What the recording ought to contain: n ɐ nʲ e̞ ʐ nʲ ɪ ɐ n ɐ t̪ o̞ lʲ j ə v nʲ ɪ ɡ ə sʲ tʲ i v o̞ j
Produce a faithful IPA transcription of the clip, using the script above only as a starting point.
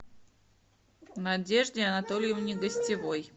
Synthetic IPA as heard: n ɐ dʲ e̞ ʐ dʲ ɪ ɐ n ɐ t̪ o̞ lʲ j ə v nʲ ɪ ɡ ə sʲ tʲ ɪ v o̞ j